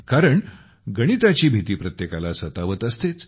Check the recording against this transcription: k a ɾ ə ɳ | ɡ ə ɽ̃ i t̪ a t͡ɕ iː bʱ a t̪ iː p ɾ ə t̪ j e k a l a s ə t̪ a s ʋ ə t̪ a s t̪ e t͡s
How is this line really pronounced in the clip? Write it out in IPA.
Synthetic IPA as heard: k a ɾ ə ɳ | ɡ ə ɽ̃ i t̪ a t͡ɕ iː bʱ i t̪ iː p ɾ ə t̪ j e k a l a s ə t̪ a ʋ ə t̪ ə s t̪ e t͡s